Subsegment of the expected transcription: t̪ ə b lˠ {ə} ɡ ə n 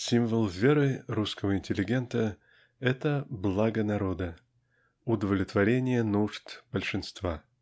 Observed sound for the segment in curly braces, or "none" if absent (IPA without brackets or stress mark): a